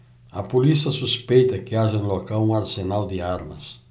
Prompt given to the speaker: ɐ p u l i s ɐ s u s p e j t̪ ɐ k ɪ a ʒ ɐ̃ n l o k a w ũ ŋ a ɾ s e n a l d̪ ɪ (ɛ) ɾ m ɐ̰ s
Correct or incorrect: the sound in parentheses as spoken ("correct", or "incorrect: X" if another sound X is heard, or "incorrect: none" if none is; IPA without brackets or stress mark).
incorrect: a